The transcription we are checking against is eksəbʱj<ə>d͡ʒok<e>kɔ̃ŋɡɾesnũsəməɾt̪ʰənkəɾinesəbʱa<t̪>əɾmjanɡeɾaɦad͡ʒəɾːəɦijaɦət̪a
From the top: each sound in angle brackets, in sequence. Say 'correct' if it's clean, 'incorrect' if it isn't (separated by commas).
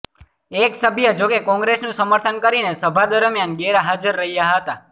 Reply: correct, correct, incorrect